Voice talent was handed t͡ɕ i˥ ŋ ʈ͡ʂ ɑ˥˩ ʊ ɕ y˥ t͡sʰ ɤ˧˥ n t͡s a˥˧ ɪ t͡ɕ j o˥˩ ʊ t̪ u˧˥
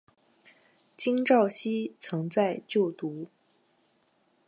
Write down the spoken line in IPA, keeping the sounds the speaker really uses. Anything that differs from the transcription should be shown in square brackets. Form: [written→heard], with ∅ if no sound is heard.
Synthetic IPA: t͡ɕ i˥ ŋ ʈ͡ʂ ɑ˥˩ ʊ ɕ [y˥→i˥] t͡sʰ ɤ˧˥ [n→ŋ] t͡s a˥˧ ɪ t͡ɕ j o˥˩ ʊ t̪ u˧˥